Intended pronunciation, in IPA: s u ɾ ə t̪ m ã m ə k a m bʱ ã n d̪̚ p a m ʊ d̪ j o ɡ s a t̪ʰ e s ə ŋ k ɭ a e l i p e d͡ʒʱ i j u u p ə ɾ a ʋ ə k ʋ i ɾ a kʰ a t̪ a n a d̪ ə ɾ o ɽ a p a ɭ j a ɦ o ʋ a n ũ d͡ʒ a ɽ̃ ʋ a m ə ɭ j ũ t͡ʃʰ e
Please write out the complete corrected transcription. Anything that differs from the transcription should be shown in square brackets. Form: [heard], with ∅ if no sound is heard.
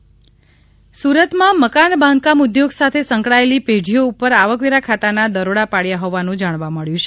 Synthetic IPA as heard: s u ɾ ə t̪ m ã m ə k a [n] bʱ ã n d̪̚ [k] a m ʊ d̪ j o ɡ s a t̪ʰ e s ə ŋ k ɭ a e l i p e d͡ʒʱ i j [o] u p ə ɾ a ʋ ə k ʋ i ɾ a kʰ a t̪ a n a d̪ ə ɾ o ɽ a p a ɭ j a ɦ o ʋ a n ũ d͡ʒ a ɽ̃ ʋ a m ə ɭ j ũ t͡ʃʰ e